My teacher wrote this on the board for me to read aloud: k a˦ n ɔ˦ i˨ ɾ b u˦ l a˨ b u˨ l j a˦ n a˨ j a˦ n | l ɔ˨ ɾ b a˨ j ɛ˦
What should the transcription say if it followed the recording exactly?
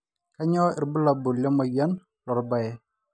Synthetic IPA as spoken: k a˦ ɲ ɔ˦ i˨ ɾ b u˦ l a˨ b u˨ l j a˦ m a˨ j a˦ n | l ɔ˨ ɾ b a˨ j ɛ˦